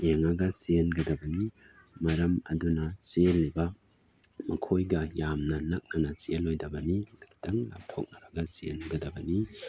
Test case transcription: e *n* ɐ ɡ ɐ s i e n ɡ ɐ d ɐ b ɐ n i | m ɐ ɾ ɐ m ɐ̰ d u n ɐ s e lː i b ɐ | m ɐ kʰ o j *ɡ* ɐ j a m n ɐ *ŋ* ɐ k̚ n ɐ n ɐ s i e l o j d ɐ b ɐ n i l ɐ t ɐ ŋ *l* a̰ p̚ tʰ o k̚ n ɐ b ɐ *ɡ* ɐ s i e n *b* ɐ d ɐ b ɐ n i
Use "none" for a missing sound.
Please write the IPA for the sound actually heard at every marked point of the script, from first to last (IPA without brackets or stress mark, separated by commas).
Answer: ŋ, ɡ, n, l, ɡ, ɡ